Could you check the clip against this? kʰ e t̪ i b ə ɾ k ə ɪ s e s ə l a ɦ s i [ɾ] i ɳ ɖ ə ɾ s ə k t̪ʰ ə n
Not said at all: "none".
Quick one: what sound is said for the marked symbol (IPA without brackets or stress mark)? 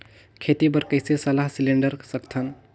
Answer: l